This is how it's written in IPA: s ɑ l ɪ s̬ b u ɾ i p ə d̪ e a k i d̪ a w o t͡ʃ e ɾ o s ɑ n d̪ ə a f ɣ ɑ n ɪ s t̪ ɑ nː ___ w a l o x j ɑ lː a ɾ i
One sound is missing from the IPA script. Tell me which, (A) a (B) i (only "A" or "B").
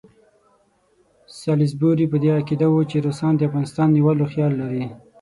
B